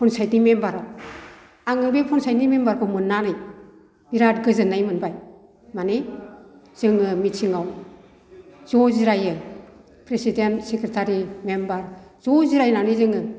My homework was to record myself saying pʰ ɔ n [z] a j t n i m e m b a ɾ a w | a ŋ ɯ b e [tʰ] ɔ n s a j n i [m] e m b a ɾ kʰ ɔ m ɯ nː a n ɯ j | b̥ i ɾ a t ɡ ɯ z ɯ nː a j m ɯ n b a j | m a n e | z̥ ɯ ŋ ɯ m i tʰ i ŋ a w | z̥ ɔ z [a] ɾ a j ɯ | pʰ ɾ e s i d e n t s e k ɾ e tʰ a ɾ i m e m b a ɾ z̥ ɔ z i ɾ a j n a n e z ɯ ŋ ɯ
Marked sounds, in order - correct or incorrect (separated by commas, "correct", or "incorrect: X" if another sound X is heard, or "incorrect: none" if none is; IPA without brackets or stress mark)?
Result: incorrect: s, incorrect: pʰ, correct, incorrect: i